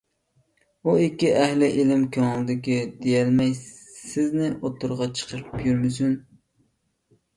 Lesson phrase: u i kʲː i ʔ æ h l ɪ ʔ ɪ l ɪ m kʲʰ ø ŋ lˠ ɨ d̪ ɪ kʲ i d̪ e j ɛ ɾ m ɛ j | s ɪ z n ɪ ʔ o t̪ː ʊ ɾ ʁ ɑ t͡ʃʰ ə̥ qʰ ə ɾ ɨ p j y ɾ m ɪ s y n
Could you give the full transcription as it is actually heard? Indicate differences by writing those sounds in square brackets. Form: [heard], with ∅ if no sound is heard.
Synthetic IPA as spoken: u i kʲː i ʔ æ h l ɪ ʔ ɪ l ɪ m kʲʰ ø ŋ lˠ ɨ d̪ ɪ kʲ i d̪ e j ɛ [l] m ɛ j | s ɪ z n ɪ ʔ o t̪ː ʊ ɾ ʁ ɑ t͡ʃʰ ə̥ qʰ ə ɾ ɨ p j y ɾ m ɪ s y n